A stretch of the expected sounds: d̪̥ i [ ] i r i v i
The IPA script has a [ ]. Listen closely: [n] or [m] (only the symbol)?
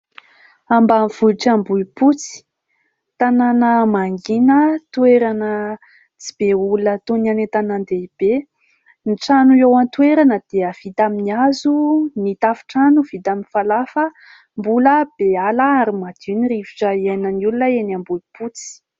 n